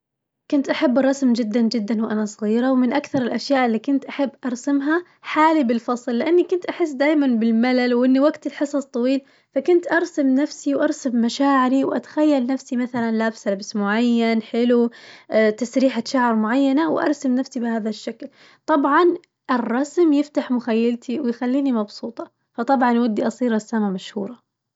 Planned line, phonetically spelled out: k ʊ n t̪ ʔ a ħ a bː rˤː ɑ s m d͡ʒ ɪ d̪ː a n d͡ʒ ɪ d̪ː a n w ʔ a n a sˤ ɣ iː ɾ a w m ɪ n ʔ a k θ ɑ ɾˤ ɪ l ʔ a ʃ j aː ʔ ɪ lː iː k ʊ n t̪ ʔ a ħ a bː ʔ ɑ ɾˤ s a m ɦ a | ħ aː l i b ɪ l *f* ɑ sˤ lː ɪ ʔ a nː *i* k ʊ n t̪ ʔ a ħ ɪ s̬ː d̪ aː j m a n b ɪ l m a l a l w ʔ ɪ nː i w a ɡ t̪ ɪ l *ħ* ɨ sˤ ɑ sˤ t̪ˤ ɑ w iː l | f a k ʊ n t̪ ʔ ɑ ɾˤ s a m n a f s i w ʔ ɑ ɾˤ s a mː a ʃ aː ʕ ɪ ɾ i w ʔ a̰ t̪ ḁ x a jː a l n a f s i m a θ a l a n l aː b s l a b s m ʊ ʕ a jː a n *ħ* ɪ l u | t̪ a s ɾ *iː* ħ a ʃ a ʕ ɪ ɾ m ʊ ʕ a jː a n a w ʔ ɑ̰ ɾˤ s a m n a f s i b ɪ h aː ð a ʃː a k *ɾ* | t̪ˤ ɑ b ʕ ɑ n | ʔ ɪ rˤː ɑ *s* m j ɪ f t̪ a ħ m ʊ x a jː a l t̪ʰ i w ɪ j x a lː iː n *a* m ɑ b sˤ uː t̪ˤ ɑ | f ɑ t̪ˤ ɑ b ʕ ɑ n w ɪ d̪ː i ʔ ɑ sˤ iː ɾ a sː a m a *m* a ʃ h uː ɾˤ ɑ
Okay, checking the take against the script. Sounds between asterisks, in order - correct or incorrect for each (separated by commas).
correct, correct, correct, correct, correct, incorrect, correct, incorrect, correct